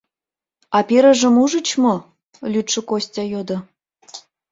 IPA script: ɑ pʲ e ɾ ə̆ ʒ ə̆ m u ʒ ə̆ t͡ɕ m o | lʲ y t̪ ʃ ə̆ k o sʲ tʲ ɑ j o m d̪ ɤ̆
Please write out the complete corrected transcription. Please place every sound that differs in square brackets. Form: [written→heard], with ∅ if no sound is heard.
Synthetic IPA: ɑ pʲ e ɾ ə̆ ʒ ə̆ m u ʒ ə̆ t͡ɕ m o | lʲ y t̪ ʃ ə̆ k o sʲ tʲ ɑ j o [m→∅] d̪ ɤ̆